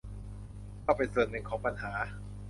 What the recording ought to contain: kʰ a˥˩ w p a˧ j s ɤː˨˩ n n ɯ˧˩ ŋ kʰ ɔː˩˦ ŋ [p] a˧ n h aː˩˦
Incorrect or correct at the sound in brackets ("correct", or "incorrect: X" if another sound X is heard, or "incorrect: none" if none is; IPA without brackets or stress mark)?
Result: correct